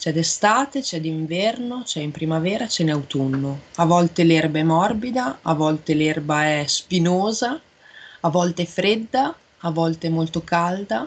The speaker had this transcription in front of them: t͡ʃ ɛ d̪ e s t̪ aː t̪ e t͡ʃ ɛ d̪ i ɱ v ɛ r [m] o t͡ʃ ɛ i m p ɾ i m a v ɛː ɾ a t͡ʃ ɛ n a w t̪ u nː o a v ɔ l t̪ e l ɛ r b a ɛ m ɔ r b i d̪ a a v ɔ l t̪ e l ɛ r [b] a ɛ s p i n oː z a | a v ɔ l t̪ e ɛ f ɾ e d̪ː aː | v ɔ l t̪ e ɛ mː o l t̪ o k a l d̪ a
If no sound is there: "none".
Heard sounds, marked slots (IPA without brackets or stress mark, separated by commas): n, b